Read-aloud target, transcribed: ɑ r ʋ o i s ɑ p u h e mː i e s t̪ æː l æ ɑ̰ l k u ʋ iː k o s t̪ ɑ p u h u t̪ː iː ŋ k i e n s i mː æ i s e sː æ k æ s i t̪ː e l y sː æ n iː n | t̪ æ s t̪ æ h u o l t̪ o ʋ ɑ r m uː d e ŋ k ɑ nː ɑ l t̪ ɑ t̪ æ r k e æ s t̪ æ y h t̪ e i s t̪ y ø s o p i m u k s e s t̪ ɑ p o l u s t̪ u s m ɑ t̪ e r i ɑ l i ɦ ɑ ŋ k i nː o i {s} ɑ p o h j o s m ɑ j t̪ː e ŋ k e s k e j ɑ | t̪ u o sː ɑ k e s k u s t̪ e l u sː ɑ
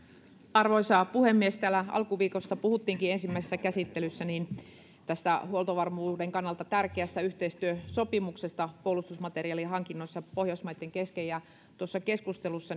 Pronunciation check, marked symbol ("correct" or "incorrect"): incorrect